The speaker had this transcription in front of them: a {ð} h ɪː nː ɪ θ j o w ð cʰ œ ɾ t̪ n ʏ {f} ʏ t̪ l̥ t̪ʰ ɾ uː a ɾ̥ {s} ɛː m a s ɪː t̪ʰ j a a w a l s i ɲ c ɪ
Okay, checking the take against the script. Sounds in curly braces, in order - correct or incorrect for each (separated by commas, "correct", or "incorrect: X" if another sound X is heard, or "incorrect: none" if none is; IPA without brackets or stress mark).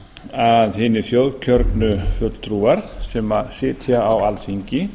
correct, correct, correct